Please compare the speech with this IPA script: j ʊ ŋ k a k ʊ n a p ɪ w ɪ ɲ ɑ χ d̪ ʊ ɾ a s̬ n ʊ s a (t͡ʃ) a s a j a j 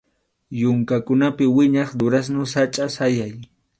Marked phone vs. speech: incorrect: t͡ʃʼ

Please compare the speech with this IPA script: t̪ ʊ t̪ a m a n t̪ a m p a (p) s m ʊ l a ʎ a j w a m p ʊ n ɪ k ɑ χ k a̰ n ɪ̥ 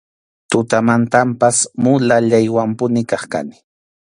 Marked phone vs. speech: incorrect: none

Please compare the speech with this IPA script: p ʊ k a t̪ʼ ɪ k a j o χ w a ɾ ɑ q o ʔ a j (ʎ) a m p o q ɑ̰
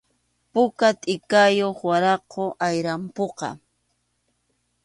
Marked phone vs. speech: incorrect: ɾ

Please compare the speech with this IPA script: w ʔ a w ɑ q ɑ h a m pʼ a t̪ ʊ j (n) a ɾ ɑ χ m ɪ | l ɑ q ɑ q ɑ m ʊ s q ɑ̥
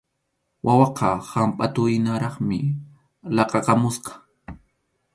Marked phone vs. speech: correct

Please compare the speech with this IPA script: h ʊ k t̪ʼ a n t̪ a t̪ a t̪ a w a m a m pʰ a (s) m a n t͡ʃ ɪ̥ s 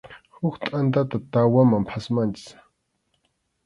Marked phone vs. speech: correct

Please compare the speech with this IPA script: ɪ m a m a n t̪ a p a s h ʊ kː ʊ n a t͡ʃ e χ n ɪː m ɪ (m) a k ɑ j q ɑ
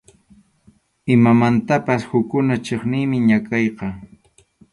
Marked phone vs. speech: incorrect: ɲ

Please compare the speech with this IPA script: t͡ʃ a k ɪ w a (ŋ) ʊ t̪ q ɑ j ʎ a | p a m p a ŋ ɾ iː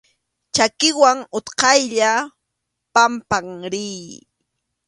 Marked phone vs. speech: correct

